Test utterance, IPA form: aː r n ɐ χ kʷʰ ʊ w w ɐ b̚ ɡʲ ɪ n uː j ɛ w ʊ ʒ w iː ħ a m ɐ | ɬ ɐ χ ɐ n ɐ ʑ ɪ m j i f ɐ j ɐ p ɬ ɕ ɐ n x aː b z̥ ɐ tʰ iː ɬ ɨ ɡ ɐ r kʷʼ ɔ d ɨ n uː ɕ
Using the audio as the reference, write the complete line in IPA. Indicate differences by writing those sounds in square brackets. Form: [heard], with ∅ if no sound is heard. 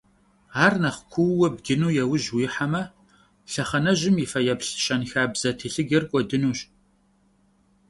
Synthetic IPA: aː r n ɐ χ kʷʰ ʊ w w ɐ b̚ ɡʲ ɪ n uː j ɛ w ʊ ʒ w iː ħ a m ɐ | ɬ ɐ χ ɐ n ɐ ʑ ɪ m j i f ɐ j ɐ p ɬ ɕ ɐ n x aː b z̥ ɐ tʰ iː ɬ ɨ ɡ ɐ r kʷʼ ɔ d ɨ n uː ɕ